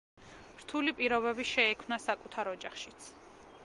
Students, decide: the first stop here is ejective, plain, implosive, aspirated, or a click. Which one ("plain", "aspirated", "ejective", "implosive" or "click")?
aspirated